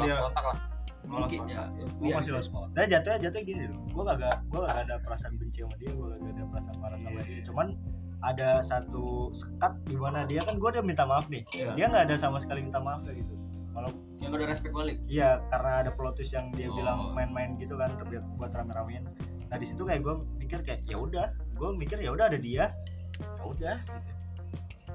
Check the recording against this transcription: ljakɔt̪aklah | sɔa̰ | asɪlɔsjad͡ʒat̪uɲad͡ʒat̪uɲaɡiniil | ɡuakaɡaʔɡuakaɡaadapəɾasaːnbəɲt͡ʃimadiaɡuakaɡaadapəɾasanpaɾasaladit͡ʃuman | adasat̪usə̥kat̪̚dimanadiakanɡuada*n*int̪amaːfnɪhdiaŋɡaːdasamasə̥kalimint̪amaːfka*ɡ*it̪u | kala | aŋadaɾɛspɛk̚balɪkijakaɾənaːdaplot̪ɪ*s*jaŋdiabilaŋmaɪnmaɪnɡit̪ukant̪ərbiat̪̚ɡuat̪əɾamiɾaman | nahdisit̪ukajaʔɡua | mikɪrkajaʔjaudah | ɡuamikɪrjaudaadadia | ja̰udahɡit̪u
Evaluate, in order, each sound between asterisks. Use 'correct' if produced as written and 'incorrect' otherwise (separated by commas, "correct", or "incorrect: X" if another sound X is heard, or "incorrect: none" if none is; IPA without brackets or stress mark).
incorrect: m, correct, correct